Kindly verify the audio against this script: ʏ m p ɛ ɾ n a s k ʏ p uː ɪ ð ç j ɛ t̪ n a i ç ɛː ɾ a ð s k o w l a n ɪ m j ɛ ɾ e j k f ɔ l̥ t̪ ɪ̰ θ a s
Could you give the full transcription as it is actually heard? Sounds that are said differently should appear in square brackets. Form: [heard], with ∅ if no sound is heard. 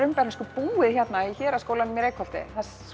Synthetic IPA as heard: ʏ m p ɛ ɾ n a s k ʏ p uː ɪ ð ç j ɛ t̪ n a i ç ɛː ɾ a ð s k o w l a n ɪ m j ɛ ɾ e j k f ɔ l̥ t̪ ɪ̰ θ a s